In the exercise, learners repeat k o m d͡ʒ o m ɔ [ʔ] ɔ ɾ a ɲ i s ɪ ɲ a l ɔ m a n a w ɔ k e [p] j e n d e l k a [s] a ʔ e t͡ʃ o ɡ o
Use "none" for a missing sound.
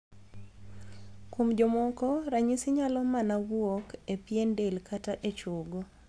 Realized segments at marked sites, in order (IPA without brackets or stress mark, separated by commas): k, p, t